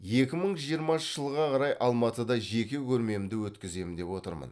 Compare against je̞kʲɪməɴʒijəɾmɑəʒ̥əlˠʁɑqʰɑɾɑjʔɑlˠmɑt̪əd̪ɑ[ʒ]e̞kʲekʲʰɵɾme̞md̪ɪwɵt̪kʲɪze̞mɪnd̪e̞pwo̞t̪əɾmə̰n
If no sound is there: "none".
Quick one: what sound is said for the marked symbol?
ʒ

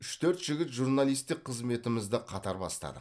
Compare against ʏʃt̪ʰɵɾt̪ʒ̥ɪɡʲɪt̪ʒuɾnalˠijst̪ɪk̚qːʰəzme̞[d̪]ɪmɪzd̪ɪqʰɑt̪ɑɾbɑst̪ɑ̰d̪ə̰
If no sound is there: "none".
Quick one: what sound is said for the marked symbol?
t̪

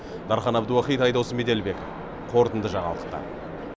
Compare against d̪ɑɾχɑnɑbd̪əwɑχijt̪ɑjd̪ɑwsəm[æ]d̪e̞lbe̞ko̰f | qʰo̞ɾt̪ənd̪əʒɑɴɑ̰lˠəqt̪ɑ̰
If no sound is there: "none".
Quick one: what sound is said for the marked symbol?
e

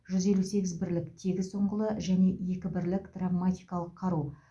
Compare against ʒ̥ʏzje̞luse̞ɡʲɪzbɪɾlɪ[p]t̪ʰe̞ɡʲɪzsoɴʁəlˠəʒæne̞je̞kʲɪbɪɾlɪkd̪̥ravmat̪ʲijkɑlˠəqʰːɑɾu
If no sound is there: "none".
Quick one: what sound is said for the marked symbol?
k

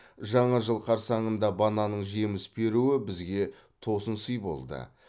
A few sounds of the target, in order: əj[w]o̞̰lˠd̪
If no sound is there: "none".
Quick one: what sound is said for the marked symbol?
b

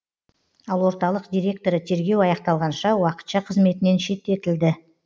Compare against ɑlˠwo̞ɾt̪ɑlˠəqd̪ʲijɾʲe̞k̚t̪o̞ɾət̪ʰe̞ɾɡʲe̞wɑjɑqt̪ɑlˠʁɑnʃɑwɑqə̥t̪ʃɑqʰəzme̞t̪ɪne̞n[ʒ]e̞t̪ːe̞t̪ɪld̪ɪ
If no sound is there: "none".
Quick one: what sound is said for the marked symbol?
ʃ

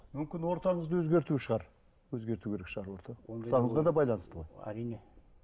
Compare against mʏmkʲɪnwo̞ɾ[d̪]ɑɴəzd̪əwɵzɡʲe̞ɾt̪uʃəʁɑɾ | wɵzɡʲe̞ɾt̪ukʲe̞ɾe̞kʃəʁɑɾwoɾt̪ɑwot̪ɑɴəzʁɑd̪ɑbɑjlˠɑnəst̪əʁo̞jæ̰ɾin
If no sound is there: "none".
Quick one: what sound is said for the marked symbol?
t̪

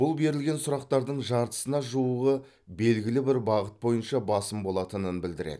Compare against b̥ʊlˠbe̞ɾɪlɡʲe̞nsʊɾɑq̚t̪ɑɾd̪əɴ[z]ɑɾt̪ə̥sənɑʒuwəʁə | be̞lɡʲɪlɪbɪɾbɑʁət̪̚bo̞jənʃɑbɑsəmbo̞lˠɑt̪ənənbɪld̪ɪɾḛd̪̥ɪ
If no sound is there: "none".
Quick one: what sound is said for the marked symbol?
ʒ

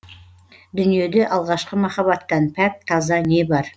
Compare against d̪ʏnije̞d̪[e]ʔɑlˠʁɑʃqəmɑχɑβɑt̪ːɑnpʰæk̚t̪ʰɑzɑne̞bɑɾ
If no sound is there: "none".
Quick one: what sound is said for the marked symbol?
e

